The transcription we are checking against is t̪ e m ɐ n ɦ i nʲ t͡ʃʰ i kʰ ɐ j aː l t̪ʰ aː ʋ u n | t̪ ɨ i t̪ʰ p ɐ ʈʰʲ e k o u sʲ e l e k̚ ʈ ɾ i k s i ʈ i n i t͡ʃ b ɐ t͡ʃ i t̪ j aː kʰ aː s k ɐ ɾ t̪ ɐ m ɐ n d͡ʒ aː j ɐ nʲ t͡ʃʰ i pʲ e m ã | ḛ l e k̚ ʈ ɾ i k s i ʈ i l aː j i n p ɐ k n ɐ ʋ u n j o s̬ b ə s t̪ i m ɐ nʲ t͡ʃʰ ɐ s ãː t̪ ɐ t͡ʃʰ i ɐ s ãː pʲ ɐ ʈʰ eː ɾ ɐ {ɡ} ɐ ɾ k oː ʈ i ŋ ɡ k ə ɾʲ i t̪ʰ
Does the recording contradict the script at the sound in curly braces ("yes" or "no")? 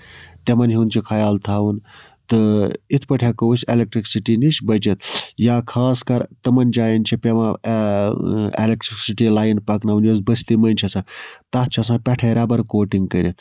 yes